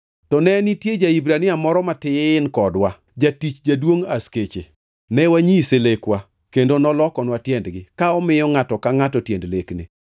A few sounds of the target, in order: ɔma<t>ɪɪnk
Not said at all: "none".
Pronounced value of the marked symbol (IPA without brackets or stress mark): t